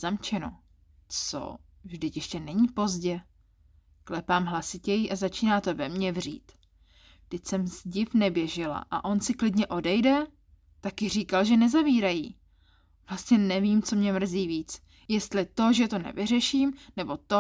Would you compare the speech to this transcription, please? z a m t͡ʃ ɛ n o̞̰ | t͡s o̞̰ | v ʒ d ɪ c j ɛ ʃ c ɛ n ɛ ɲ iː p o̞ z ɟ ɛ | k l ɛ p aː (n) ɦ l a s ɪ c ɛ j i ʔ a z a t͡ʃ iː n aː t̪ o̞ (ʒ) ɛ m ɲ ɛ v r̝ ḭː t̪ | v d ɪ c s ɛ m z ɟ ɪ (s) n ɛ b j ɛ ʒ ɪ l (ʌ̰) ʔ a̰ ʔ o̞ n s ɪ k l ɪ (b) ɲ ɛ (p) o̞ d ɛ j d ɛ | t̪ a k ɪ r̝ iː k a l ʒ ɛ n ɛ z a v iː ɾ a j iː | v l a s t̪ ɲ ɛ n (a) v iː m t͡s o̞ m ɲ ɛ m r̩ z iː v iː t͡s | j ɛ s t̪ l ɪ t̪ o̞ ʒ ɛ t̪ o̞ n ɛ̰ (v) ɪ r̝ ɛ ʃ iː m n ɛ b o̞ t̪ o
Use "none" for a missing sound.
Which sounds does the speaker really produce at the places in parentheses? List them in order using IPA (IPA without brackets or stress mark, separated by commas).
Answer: m, v, f, a̰, d, ʔ, ɛ, v